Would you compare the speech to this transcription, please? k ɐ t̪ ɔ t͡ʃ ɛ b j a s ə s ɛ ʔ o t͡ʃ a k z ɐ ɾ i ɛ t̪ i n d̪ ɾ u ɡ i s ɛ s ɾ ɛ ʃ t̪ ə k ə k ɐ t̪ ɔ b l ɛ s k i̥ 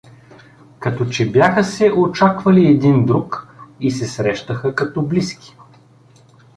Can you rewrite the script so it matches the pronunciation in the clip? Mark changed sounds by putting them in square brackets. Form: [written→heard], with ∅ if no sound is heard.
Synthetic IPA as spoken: k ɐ t̪ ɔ t͡ʃ ɛ b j a [s→x] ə s ɛ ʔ o t͡ʃ a k [z→v] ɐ [ɾ→l] i ɛ [t̪→d̪] i n d̪ ɾ u [ɡ→k] i s ɛ s ɾ ɛ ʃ t̪ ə [k→x] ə k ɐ t̪ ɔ b l [ɛ→i] s k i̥